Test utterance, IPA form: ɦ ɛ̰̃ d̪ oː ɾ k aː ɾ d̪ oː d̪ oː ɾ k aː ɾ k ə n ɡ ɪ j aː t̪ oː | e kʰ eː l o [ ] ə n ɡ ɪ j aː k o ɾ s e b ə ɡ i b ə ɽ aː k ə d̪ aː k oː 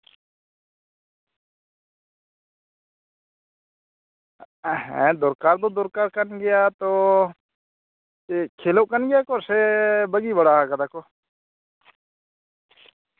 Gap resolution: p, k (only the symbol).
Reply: k